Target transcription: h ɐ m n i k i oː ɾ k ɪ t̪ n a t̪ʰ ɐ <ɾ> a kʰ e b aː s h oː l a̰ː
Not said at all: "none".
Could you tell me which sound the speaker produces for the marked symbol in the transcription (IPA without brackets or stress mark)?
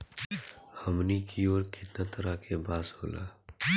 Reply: ɾ